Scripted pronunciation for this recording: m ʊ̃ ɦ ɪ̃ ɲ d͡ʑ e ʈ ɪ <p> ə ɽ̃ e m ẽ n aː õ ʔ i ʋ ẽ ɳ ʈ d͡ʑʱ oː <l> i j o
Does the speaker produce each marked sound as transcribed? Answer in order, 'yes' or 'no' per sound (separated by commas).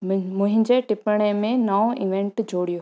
yes, no